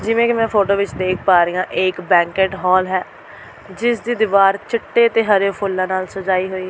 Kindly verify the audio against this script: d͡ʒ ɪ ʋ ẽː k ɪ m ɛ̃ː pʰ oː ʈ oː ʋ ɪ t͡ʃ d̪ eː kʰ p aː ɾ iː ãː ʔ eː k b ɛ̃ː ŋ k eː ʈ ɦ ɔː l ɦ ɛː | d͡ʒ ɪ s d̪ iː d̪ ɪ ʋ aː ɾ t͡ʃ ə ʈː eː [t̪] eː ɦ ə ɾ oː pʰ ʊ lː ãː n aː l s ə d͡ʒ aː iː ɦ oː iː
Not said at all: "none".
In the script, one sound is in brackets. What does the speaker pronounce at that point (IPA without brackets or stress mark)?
t̪